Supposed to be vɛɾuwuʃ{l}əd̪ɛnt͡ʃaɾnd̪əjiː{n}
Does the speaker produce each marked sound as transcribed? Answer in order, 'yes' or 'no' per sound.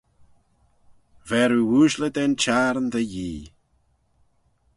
yes, no

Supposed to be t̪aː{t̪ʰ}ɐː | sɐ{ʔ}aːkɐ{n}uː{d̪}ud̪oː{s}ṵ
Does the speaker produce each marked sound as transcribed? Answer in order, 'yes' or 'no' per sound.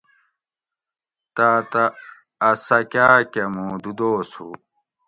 no, no, no, yes, yes

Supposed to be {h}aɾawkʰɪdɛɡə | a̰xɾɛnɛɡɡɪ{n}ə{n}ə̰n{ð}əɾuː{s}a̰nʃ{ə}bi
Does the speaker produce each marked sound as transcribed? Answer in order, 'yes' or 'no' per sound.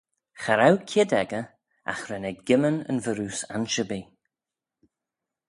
no, no, yes, no, yes, yes

